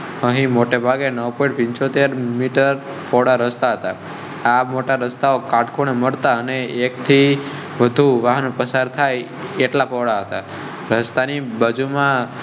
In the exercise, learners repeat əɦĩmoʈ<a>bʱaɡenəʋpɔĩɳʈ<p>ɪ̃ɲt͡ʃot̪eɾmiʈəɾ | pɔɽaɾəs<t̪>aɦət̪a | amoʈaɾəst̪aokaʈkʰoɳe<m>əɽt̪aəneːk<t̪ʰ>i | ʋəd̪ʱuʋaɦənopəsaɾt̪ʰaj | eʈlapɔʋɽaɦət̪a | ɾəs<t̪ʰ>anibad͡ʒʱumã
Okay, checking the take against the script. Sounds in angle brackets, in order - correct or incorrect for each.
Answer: incorrect: e, correct, correct, correct, correct, incorrect: t̪

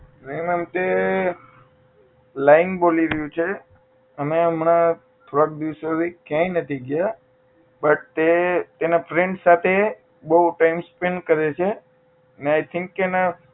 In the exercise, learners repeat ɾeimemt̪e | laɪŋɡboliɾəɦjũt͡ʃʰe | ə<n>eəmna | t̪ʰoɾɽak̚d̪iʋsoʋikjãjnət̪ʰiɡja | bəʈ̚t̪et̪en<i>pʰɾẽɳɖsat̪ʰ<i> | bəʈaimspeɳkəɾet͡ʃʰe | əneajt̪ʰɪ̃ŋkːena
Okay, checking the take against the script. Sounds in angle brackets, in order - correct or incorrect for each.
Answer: incorrect: m, incorrect: a, incorrect: e

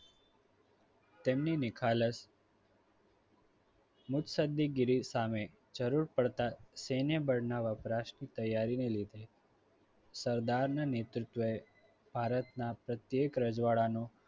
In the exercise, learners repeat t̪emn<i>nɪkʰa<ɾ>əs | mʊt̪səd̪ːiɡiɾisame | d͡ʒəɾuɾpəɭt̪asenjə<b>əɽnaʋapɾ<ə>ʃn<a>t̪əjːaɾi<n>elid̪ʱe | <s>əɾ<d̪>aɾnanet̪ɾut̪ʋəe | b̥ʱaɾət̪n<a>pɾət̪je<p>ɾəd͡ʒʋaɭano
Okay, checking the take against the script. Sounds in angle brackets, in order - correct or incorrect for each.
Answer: correct, incorrect: l, correct, incorrect: a, incorrect: i, correct, correct, correct, correct, incorrect: k

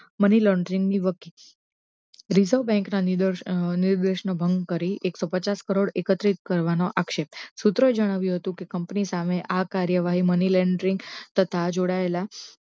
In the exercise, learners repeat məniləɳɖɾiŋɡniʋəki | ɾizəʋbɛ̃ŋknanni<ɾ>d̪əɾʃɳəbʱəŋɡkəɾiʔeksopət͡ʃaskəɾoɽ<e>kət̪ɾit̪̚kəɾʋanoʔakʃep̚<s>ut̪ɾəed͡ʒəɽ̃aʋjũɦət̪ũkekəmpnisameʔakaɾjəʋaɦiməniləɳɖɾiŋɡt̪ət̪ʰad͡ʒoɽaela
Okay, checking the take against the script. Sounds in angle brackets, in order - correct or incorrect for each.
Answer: correct, correct, correct

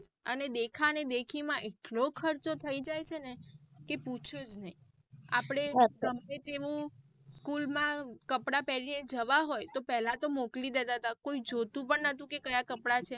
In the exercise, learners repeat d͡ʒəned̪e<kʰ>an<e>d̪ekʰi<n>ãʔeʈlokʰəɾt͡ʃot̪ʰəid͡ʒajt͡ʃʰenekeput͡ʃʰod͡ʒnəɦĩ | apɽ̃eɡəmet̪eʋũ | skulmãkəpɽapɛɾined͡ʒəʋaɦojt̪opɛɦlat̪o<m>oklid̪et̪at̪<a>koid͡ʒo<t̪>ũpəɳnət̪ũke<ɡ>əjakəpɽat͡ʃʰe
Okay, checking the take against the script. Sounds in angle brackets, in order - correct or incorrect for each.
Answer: correct, correct, incorrect: m, correct, correct, correct, incorrect: k

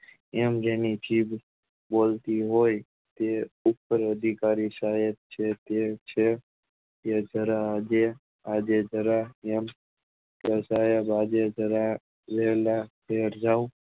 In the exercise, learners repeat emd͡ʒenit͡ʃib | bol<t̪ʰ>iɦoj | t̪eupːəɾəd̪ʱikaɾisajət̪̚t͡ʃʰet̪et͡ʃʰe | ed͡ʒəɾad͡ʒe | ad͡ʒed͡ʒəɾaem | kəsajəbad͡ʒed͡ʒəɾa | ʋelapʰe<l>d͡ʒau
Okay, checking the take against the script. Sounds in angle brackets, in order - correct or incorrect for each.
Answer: incorrect: t̪, incorrect: ɾ

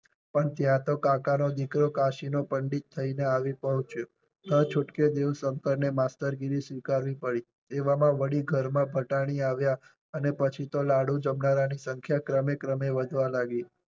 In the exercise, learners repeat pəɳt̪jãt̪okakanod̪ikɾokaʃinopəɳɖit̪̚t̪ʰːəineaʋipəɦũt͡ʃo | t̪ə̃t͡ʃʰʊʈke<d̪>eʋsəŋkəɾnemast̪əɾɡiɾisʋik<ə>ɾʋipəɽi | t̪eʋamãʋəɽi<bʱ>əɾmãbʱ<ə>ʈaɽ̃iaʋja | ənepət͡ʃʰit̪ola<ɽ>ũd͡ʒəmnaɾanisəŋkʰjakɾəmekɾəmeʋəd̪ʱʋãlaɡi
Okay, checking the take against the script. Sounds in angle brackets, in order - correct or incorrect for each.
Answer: correct, incorrect: a, incorrect: ɡʱ, correct, correct

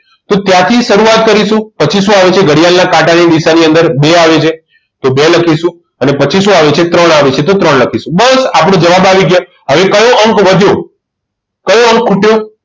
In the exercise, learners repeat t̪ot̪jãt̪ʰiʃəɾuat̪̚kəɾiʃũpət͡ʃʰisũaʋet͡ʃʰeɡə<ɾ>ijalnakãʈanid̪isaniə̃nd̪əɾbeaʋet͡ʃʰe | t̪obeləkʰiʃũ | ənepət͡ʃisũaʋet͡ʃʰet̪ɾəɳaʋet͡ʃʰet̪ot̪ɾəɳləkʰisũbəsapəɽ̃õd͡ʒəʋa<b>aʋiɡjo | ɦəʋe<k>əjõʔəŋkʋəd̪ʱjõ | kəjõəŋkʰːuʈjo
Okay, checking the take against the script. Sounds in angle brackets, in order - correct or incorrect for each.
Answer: incorrect: ɽ, correct, correct

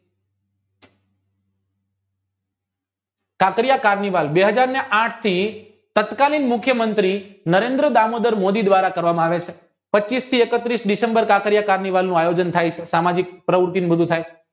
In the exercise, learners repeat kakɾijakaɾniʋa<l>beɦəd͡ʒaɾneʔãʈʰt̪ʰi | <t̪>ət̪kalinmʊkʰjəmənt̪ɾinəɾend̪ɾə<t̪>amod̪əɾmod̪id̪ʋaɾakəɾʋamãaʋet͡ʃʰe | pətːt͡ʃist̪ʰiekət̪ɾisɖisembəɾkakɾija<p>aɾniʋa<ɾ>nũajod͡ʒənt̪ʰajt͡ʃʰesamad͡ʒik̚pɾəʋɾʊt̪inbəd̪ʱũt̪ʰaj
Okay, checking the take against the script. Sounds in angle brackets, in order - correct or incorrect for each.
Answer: correct, correct, incorrect: d̪, incorrect: k, incorrect: l

